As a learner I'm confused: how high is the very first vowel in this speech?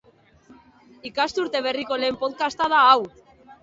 high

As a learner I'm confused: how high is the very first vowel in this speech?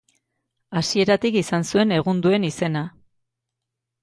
low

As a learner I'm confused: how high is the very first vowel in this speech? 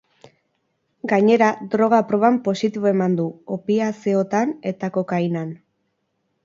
low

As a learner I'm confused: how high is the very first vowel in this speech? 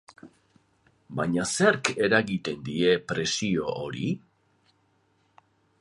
low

